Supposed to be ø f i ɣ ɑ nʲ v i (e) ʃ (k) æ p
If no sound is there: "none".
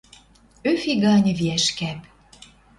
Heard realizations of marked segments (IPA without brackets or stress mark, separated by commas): æ, k